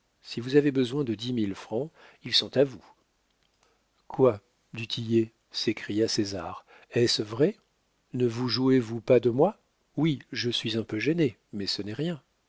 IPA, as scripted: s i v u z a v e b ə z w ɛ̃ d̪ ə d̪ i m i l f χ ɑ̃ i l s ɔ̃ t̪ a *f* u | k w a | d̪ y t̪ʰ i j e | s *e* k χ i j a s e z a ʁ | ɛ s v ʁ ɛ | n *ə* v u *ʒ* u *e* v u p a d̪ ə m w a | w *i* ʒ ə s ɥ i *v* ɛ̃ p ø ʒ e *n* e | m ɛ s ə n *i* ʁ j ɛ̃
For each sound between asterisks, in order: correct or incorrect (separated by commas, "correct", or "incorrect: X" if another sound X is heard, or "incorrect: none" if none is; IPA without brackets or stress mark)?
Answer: incorrect: v, correct, correct, correct, correct, correct, incorrect: z, correct, incorrect: ɛ